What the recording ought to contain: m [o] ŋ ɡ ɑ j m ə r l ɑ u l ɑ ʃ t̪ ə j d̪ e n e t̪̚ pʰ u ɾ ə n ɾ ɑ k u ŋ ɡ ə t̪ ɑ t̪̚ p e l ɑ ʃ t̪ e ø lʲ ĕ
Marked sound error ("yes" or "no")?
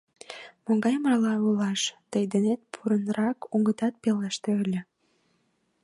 no